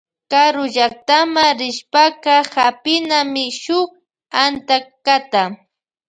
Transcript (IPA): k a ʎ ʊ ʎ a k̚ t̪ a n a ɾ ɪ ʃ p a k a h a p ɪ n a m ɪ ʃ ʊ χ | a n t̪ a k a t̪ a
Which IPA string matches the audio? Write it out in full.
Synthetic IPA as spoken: k a ɾ ʊ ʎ a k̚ t̪ a m a ɾ ɪ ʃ p a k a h a p ɪ n a m ɪ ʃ ʊ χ | a n t̪ a k a t̪ a